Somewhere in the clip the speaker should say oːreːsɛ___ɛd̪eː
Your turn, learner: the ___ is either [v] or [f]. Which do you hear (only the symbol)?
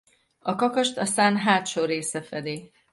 f